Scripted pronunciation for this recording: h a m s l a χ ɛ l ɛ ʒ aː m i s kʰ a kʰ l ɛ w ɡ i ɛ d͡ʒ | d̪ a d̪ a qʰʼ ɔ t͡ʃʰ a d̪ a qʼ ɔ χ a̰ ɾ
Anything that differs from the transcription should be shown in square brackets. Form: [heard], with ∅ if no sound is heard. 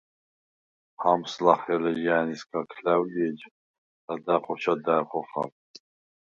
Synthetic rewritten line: h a m s l a χ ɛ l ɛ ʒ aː [n] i s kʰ a kʰ l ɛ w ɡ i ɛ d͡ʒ | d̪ a d̪ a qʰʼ ɔ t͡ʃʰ a d̪ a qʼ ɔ χ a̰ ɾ